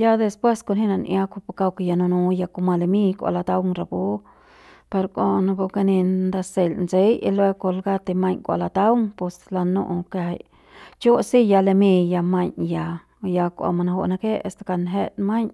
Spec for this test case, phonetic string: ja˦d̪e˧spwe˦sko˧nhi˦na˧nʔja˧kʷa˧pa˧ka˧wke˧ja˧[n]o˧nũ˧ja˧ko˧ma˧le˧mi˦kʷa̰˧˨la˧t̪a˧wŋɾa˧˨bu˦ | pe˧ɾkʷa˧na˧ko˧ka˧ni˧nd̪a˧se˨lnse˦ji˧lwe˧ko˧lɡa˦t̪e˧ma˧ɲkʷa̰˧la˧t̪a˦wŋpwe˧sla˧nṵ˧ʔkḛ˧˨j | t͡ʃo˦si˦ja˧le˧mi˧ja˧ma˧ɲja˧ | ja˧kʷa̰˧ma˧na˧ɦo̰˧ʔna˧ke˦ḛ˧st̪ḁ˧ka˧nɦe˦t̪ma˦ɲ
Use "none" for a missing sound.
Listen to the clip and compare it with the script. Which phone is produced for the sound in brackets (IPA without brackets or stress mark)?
n